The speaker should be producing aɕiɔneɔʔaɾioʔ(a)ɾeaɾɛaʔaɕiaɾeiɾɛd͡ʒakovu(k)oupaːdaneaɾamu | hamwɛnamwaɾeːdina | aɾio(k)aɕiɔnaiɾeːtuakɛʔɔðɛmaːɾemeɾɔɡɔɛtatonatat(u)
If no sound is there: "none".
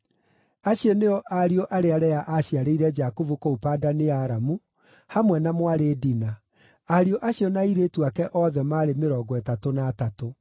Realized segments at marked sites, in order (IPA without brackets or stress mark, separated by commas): a, k, ʔ, o